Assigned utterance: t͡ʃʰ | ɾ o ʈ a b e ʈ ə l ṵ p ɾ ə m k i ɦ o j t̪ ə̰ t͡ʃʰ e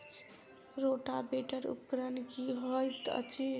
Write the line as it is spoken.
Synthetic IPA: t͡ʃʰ | ɾ o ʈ a b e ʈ ə ɾ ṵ k ɾ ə n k i ɦ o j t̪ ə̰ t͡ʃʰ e